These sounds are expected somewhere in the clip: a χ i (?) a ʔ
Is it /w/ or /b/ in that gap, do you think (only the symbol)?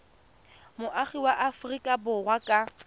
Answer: w